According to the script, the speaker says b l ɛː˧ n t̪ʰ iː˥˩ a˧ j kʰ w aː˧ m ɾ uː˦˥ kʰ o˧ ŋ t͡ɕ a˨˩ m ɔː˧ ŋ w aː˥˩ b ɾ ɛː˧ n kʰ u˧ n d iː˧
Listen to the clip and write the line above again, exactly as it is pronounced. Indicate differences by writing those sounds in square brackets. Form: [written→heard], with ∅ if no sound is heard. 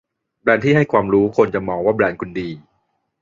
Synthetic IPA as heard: b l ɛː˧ n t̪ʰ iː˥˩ [a˧→a˥˩] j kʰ w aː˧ m ɾ uː˦˥ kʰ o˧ [ŋ→n] t͡ɕ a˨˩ m ɔː˧ ŋ w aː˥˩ b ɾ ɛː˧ n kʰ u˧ n d iː˧

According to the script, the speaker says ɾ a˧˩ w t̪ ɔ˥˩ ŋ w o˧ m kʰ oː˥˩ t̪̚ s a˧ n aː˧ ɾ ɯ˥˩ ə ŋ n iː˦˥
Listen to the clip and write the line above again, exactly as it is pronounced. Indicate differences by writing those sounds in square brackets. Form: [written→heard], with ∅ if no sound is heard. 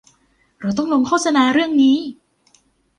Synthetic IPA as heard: ɾ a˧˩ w t̪ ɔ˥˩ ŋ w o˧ [m→ŋ] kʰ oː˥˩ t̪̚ s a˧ n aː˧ ɾ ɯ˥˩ ə ŋ n iː˦˥

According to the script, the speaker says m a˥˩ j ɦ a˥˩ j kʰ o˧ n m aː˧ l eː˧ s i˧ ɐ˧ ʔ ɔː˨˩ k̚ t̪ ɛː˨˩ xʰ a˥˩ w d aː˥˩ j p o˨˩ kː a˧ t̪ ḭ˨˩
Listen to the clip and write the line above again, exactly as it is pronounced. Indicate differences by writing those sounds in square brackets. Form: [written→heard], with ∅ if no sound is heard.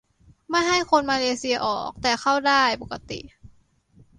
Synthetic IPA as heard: m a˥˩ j ɦ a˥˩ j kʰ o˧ n m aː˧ l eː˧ s i˧ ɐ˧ ʔ ɔː˨˩ k̚ t̪ ɛː˨˩ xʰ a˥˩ w d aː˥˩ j p o˨˩ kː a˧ t̪ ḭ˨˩

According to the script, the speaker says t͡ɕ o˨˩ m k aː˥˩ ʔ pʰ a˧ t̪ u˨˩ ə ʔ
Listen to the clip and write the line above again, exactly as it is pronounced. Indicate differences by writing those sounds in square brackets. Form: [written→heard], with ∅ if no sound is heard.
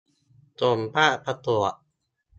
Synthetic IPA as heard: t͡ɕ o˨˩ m [k→p] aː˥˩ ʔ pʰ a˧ t̪ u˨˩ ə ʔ

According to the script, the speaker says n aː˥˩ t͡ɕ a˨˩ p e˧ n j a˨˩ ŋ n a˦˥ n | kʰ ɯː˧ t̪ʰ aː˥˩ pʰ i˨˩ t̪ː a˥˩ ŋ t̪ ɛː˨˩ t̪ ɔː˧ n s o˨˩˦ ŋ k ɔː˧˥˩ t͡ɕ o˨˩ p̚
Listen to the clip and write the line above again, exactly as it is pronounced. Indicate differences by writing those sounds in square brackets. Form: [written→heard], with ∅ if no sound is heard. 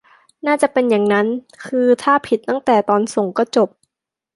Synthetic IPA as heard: n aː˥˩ t͡ɕ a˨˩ p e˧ n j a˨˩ ŋ n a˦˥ n | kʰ ɯː˧ t̪ʰ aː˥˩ pʰ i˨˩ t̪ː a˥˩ ŋ t̪ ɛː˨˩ t̪ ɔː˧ n s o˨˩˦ ŋ k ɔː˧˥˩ t͡ɕ o˨˩ p̚

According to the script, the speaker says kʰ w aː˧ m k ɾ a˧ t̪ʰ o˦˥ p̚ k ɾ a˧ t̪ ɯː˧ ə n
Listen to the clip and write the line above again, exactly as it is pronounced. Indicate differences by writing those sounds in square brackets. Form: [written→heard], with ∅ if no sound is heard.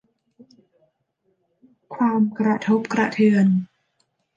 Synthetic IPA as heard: kʰ w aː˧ m k ɾ a˧ t̪ʰ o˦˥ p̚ k ɾ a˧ [t̪→t̪ʰ] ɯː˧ ə n

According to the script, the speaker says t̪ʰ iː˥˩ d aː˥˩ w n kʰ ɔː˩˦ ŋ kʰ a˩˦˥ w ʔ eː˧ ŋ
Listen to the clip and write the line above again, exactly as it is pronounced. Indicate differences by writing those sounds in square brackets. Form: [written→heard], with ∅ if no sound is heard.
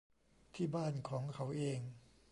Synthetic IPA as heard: t̪ʰ iː˥˩ [d→b] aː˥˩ [w→∅] n kʰ ɔː˩˦ ŋ kʰ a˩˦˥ w ʔ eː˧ ŋ

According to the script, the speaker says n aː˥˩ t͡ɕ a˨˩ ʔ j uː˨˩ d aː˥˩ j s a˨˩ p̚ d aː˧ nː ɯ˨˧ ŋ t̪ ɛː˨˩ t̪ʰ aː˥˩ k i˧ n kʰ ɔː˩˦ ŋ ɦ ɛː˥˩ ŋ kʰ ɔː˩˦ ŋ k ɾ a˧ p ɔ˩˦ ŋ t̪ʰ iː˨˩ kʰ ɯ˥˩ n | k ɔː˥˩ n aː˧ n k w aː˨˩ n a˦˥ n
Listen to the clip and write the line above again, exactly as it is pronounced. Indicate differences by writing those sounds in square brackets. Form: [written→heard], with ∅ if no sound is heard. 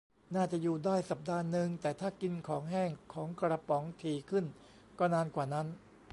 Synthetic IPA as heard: n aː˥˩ t͡ɕ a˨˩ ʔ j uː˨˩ d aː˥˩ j s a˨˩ p̚ d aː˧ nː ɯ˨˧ ŋ t̪ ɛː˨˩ t̪ʰ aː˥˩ k i˧ n kʰ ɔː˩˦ ŋ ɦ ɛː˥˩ ŋ kʰ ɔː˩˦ ŋ k ɾ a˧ p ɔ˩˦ ŋ t̪ʰ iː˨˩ kʰ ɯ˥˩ n | k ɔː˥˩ n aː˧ n k w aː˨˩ n a˦˥ n

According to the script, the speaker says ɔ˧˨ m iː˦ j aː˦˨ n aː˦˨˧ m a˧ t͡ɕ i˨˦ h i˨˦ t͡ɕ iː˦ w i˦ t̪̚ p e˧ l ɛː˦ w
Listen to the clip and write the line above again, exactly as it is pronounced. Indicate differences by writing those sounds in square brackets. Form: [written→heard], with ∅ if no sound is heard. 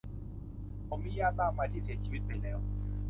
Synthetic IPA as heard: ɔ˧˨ m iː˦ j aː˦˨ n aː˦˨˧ m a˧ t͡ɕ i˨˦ [h→s] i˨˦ t͡ɕ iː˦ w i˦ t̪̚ p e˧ l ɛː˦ w

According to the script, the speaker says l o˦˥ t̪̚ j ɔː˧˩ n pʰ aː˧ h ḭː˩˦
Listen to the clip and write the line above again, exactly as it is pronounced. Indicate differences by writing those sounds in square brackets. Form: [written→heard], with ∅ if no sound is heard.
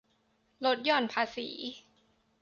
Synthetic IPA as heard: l o˦˥ t̪̚ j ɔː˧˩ n pʰ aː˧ [h→s] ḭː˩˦

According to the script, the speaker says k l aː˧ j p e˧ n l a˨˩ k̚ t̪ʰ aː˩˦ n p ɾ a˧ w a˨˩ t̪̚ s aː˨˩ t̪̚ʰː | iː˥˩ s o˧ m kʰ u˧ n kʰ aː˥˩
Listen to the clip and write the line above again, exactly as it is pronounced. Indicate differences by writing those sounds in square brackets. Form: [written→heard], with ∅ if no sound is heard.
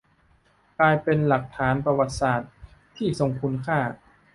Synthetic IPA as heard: k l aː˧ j p e˧ n l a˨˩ k̚ t̪ʰ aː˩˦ n p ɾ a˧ w a˨˩ t̪̚ s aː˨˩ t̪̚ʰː | iː˥˩ s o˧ [m→ŋ] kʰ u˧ n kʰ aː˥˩

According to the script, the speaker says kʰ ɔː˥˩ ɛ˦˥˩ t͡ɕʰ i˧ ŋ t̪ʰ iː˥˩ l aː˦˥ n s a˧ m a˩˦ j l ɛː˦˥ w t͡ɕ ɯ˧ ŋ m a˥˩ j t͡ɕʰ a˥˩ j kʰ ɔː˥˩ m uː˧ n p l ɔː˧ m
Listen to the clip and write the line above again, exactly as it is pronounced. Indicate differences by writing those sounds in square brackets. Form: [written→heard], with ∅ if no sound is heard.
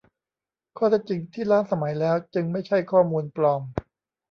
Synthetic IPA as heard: kʰ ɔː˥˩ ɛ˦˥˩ [t͡ɕʰ→t͡ɕ] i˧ ŋ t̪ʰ iː˥˩ l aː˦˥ n s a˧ m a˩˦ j l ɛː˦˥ w t͡ɕ ɯ˧ ŋ m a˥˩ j t͡ɕʰ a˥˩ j kʰ ɔː˥˩ m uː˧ n p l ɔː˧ m

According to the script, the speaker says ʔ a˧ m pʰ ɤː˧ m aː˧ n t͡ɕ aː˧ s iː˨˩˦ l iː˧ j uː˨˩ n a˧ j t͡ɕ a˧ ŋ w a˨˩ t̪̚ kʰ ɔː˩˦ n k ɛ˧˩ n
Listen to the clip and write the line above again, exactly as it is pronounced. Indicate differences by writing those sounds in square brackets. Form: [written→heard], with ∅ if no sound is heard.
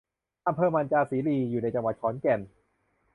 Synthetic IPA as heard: ʔ a˧ m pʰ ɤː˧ m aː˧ n t͡ɕ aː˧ s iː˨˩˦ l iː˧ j uː˨˩ n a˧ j t͡ɕ a˧ ŋ w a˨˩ t̪̚ kʰ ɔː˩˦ n k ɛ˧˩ n

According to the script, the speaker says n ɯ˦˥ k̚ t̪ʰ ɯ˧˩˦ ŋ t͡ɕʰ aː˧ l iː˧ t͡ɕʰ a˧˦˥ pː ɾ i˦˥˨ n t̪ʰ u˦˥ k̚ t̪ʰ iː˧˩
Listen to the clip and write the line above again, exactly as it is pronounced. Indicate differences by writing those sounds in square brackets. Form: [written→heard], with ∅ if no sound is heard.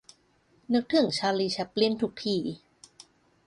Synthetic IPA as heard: n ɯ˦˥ k̚ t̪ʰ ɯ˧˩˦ ŋ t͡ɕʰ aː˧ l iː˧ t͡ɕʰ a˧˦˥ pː [ɾ→l] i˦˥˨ n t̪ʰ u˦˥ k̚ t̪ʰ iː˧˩

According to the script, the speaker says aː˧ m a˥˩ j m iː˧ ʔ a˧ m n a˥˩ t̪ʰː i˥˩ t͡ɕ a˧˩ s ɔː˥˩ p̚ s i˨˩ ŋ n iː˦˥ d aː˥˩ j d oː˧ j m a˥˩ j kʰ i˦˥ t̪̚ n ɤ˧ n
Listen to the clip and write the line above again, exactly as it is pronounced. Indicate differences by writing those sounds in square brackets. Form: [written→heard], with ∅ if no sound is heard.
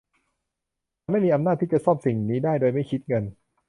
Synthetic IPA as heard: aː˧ m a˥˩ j m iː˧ ʔ a˧ m n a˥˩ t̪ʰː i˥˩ t͡ɕ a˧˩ s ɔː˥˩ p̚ s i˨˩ ŋ n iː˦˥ d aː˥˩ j d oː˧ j m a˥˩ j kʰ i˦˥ t̪̚ [n→ŋ] ɤ˧ n

